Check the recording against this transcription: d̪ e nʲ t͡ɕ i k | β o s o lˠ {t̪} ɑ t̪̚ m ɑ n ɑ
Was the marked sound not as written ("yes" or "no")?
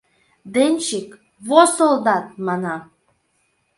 yes